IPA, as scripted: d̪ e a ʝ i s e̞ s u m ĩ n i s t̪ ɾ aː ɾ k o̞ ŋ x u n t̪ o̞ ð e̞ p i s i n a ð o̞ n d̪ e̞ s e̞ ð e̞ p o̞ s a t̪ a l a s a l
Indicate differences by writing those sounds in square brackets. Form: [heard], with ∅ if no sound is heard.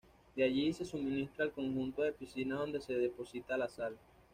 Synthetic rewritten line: d̪ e a ʝ i s e̞ s u m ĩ n i s t̪ ɾ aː [l] k o̞ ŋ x u n t̪ o̞ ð e̞ p i s i n a ð o̞ n d̪ e̞ s e̞ ð e̞ p o̞ s [i] t̪ a l a s a l